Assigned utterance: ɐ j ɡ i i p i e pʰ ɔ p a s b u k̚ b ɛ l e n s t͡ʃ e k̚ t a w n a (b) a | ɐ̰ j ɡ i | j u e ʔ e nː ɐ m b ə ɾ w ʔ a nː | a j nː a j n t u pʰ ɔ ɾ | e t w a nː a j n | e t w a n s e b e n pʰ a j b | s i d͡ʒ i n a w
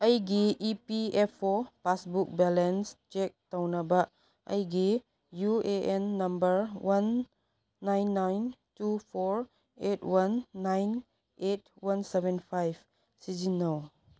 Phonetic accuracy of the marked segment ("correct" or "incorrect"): correct